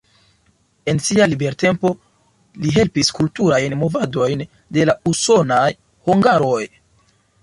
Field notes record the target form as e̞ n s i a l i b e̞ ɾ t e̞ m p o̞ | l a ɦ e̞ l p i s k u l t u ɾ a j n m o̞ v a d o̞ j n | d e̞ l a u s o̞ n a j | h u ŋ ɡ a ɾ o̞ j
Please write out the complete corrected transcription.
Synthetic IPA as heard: e̞ n s i a l i b e̞ ɾ t e̞ m p o̞ | l i ɦ e̞ l p i s k u l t u ɾ a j n m o̞ v a d o̞ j n | d e̞ l a u s o̞ n a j | h u ŋ ɡ a ɾ o̞ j

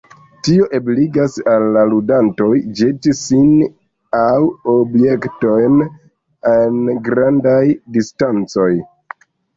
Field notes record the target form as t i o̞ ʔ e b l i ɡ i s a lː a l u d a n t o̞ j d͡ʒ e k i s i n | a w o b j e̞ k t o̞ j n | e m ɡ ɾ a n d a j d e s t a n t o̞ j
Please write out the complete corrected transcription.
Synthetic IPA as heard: t i o̞ ʔ e b l i ɡ a s a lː a l u d a n t o̞ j d͡ʒ e t i s i n | a w o b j e̞ k t o̞ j n | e n ɡ ɾ a n d a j d i s t a n t͡s o̞ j

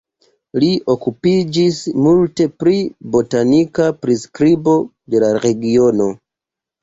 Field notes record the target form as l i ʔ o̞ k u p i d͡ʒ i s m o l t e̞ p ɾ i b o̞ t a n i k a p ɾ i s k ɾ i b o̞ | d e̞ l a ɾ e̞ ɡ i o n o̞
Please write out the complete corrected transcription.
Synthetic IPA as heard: l i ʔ o̞ k u p i d͡ʒ i s m u l t e̞ p ɾ i b o̞ t a n i k a p ɾ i s k ɾ i b o̞ | d e̞ l a ɾ e̞ ɡ i o n o̞

